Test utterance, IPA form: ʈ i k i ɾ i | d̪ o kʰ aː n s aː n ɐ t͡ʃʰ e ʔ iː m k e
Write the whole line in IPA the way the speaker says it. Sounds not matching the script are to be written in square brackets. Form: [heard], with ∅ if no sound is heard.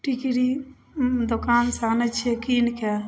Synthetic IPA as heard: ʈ i k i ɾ i | d̪ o [k] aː n s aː n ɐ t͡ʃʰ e [k] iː [n] k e

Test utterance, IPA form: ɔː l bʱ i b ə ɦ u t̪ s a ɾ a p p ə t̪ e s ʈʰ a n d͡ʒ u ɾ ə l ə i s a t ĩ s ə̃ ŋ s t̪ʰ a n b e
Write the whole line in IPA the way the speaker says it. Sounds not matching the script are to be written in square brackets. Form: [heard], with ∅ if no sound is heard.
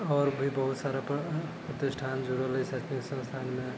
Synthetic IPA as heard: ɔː [ɾ] bʱ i b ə ɦ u t̪ s a ɾ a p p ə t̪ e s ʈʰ a n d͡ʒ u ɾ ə l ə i s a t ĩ s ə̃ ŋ s t̪ʰ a n [m] e

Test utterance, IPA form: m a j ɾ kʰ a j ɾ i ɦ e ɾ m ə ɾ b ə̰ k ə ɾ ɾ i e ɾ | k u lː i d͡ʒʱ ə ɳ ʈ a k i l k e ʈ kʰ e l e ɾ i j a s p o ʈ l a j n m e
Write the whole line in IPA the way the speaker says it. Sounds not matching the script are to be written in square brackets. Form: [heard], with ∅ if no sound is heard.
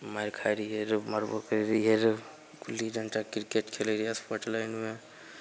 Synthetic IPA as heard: m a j ɾ kʰ a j ɾ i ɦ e ɾ m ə ɾ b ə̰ k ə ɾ ɾ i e ɾ | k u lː i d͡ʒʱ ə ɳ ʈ a k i [ɾ] k e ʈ kʰ e l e ɾ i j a s p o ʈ l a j n m e

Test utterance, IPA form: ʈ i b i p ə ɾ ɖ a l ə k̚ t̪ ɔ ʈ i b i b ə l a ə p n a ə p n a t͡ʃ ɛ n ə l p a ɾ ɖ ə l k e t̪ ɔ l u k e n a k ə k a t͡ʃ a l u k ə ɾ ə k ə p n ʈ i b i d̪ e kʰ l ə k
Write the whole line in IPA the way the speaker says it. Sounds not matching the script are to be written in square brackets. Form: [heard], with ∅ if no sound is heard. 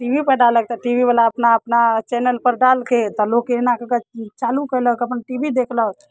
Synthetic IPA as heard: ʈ i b i p ə ɾ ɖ a l ə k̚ t̪ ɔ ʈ i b i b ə l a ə p n a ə p n a t͡ʃ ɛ n ə l p [ə] ɾ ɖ [a] l k e t̪ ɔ l [o] k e n a k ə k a t͡ʃ a l u k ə [l] ə k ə p n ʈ i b i d̪ e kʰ l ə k

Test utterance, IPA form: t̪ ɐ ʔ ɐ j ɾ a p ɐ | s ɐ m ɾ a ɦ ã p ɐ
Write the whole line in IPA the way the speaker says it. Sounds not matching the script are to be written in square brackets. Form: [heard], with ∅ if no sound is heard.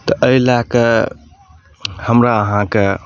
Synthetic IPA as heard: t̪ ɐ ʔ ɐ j [l] a [k] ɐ | [h] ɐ m ɾ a ɦ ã [k] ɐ

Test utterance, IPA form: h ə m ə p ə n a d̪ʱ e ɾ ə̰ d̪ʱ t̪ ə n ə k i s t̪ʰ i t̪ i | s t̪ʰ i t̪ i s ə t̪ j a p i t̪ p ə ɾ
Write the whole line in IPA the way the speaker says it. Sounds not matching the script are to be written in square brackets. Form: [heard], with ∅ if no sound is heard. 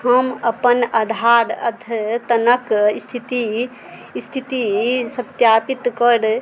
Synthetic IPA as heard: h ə m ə p ə n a d̪ʱ [a] ɾ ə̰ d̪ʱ t̪ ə n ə k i s t̪ʰ i t̪ i | s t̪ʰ i t̪ i s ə t̪ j a p i t̪ [k] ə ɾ

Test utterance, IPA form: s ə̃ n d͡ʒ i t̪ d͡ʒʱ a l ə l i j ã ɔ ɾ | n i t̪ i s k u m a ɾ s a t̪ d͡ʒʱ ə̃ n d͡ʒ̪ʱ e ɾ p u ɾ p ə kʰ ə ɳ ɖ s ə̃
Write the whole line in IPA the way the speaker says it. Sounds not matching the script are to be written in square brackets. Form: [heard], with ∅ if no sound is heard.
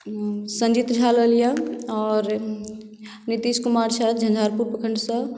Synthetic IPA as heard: s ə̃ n d͡ʒ i t̪ d͡ʒʱ a l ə l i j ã ɔ ɾ | n i t̪ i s k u m a ɾ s a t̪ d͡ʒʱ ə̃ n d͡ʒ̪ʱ [a] ɾ p u ɾ p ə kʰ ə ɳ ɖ s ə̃

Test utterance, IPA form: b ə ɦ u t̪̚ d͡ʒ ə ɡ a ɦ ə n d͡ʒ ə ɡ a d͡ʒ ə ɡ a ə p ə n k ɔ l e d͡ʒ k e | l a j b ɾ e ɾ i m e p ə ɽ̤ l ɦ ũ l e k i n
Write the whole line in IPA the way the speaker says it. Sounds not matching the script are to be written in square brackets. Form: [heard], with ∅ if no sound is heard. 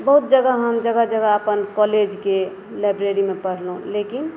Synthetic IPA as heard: b ə ɦ u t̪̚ d͡ʒ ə ɡ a ɦ ə [m] d͡ʒ ə ɡ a d͡ʒ ə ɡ a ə p ə n k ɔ l e d͡ʒ k e | l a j b ɾ e ɾ i m e p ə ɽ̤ l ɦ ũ l e k i n

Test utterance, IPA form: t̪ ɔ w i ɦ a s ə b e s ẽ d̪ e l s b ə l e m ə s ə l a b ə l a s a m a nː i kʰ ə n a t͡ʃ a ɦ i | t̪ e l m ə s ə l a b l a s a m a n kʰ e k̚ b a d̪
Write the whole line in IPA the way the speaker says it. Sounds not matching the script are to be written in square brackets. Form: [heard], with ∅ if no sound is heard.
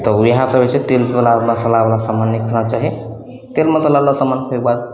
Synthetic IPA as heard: t̪ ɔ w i ɦ a s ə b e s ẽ [t̪] e l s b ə l [a] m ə s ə l a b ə l a s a m a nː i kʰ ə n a t͡ʃ a ɦ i | t̪ e l m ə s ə l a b l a s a m a n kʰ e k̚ b a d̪

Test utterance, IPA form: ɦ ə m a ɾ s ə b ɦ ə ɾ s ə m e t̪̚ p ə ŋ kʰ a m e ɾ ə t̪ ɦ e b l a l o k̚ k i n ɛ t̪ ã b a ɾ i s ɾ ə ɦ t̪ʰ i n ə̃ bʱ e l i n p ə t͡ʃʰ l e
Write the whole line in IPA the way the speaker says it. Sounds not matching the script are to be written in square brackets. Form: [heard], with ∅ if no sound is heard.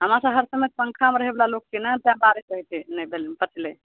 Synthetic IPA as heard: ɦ ə m a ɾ s ə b ɦ ə ɾ s ə m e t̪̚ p ə ŋ kʰ a m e ɾ ə [∅] ɦ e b l a l o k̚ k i n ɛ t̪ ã b a ɾ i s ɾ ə ɦ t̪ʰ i n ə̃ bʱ e l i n p ə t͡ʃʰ l e

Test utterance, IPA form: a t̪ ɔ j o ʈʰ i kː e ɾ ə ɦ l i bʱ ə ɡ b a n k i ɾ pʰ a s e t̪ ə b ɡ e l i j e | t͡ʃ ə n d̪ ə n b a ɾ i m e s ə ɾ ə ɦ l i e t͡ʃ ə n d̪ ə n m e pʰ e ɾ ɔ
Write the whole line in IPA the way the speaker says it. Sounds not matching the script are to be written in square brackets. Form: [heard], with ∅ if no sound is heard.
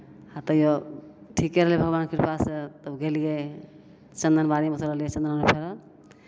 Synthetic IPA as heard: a t̪ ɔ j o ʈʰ i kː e ɾ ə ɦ l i bʱ ə ɡ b a n k i ɾ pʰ a s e t̪ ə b ɡ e l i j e | t͡ʃ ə n d̪ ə n b a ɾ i m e s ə ɾ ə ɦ l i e t͡ʃ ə n d̪ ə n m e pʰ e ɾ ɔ

